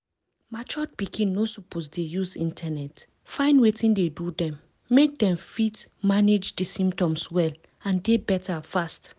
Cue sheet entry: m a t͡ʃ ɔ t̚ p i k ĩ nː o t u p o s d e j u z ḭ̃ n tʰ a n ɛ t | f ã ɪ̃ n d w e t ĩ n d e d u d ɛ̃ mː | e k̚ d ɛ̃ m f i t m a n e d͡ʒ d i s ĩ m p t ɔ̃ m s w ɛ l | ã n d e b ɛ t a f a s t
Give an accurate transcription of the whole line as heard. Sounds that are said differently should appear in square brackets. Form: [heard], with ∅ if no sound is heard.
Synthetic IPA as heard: m a t͡ʃ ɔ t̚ p i k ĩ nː o [s] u p o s d e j u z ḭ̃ n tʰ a n ɛ t | f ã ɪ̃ n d w e t ĩ n d e d u d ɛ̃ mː | e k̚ d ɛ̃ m f i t m a n e d͡ʒ d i s ĩ m p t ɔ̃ m s w ɛ l | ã n d e b ɛ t a f a s t